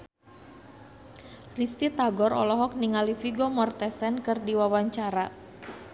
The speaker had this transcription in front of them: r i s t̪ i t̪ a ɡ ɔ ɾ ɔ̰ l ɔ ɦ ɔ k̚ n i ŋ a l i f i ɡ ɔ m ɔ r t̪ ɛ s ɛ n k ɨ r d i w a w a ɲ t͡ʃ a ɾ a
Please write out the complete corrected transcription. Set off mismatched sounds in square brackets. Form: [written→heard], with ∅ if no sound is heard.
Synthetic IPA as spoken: r i s t̪ i t̪ a ɡ ɔ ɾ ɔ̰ l ɔ ɦ ɔ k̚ n i ŋ a l i f i ɡ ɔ m ɔ r t̪ ɛ s ɛ n k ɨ r d i w a w a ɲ t͡ʃ a ɾ a